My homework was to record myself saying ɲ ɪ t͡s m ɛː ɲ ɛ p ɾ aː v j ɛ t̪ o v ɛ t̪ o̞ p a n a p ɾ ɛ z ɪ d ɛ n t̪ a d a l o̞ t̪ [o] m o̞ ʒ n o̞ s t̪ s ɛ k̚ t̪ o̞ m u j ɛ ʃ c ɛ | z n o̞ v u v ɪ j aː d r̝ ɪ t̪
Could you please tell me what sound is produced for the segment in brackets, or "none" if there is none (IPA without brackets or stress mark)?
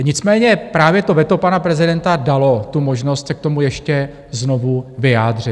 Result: u